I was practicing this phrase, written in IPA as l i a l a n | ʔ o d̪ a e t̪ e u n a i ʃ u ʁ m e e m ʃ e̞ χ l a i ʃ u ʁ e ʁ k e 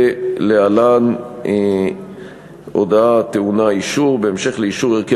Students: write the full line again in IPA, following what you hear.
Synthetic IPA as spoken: l e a l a n | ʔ o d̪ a a t̪ e u n a i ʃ u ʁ b e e m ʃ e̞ χ l e i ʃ u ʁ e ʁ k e